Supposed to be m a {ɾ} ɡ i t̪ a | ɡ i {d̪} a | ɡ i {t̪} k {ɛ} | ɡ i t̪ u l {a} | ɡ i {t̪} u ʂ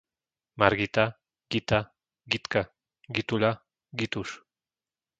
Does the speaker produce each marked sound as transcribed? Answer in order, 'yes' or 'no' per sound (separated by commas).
yes, no, yes, no, yes, yes